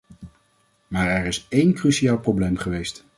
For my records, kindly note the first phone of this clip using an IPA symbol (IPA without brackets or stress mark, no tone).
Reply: m